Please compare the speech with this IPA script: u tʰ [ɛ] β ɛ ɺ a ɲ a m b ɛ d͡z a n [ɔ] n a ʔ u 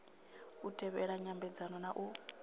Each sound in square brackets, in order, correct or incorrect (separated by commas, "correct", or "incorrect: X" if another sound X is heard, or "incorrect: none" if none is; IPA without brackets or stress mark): correct, correct